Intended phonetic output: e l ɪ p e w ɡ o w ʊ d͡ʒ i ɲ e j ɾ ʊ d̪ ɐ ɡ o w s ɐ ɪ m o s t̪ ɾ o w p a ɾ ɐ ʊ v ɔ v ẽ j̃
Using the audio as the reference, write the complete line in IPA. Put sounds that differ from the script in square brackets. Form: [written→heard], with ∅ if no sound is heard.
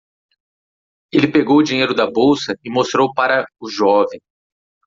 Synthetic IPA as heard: e l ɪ p e [w→∅] ɡ o w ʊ d͡ʒ i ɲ e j ɾ ʊ d̪ ɐ [ɡ→b] o w s ɐ ɪ m o s t̪ ɾ o w p a ɾ ɐ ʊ [v→ʒ] ɔ v ẽ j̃

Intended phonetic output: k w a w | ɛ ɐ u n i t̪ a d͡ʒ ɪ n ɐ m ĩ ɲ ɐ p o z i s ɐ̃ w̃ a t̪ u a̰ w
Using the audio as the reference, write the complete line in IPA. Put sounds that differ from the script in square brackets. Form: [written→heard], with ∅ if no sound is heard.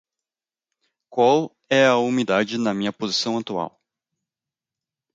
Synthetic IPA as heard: k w a w | ɛ ɐ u [n→m] i [t̪→d̪] a d͡ʒ ɪ n ɐ m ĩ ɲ ɐ p o z i s ɐ̃ w̃ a t̪ u a̰ w

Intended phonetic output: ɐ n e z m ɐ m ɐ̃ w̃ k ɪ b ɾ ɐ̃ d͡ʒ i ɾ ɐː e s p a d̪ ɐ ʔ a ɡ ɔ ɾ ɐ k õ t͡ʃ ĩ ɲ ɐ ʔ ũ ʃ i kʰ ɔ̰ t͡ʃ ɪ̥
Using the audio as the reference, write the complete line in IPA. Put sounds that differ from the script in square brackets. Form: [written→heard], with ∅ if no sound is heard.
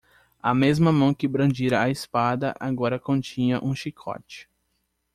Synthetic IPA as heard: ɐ [n→m] e z m ɐ m ɐ̃ w̃ k ɪ b ɾ ɐ̃ d͡ʒ i ɾ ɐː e s p a d̪ ɐ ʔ a ɡ ɔ ɾ ɐ k õ t͡ʃ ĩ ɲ ɐ ʔ ũ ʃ i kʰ ɔ̰ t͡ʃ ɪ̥

